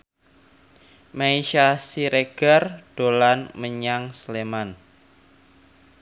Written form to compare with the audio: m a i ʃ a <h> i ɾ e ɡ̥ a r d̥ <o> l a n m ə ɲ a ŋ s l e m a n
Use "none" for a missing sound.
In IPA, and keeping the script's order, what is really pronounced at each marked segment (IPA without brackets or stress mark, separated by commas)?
s, o